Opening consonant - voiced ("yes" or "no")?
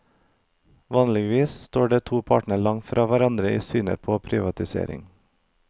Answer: yes